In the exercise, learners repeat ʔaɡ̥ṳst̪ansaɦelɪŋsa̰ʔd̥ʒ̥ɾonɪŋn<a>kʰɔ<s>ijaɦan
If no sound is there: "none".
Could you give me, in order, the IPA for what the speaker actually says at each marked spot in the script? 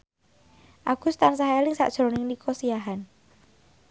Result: i, s

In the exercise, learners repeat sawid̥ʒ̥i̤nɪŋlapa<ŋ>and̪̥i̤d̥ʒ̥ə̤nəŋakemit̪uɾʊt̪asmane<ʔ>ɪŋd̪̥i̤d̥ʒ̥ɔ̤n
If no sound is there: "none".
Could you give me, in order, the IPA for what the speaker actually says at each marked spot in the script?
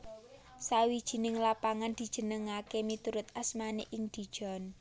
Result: ŋ, ʔ

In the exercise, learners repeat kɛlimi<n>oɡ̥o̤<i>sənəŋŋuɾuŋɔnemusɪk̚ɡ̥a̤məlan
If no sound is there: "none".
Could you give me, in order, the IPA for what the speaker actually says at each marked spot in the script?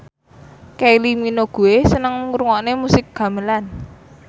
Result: n, e

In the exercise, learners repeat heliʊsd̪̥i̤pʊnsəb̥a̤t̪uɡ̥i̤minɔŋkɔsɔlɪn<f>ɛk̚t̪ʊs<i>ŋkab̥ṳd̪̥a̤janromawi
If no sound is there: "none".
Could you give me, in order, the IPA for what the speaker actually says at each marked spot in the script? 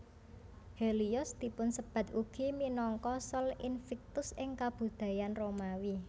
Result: f, ɪ

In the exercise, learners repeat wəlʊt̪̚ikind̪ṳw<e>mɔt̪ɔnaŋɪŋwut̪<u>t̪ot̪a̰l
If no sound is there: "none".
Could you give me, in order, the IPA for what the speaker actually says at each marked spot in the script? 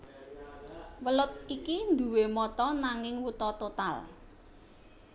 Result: e, ɔ

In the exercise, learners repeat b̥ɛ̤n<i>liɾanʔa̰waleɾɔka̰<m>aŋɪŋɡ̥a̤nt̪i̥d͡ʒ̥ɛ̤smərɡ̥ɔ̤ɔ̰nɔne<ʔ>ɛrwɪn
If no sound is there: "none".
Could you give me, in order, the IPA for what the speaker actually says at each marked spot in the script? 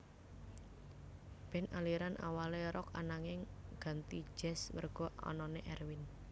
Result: a, n, ʔ

